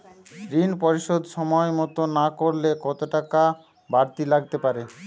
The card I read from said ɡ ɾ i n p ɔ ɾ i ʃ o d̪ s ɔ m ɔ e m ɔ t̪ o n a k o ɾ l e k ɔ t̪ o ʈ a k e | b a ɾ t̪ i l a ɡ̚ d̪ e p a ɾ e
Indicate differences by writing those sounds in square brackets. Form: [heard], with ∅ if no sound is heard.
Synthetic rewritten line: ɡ ɾ i n p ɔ ɾ i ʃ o d̪ [ʃ] ɔ m ɔ e m ɔ t̪ o n a k o ɾ l e k ɔ t̪ o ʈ a k [a] | b a ɾ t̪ i l a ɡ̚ [t̪] e p a ɾ e